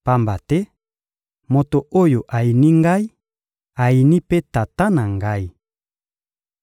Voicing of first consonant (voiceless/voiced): voiceless